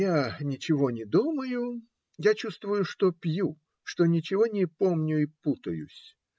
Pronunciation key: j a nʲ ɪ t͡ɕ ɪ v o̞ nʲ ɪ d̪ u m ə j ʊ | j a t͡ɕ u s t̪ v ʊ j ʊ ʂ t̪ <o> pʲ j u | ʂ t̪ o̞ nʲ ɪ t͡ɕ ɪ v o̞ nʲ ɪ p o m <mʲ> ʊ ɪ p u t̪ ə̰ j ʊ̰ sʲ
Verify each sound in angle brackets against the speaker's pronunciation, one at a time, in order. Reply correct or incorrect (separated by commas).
correct, incorrect